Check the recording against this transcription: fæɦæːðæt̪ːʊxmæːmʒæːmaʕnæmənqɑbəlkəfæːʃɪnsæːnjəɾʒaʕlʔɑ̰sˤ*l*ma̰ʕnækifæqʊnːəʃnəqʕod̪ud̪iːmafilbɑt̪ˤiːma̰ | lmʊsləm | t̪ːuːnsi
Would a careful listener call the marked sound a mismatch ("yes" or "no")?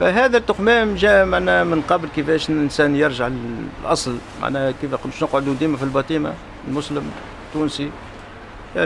no